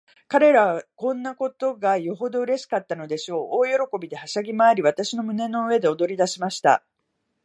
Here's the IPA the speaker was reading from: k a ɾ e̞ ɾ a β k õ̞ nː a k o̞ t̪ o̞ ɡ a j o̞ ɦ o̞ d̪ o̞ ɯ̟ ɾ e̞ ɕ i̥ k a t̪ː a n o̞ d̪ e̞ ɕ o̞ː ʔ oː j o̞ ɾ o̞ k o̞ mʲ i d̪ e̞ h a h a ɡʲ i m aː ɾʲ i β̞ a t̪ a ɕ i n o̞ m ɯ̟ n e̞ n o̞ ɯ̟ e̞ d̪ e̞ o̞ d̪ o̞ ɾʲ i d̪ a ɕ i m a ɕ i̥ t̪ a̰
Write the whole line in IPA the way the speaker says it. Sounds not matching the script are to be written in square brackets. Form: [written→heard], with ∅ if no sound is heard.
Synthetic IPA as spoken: k a ɾ e̞ ɾ a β k õ̞ nː a k o̞ t̪ o̞ ɡ a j o̞ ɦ o̞ d̪ o̞ ɯ̟ ɾ e̞ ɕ i̥ k a t̪ː a n o̞ d̪ e̞ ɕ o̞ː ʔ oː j o̞ ɾ o̞ k o̞ [mʲ→bʲ] i d̪ e̞ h a [h→ɕ] a ɡʲ i m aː ɾʲ i β̞ a t̪ a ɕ i n o̞ m ɯ̟ n e̞ n o̞ ɯ̟ e̞ d̪ e̞ o̞ d̪ o̞ ɾʲ i d̪ a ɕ i m a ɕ i̥ t̪ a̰